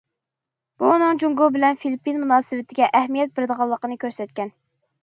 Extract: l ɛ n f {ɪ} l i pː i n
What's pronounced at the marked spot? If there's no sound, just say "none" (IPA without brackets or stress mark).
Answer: i